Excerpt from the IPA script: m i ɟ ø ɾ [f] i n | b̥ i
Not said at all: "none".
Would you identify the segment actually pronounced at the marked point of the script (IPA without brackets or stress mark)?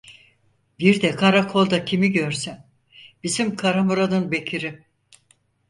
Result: s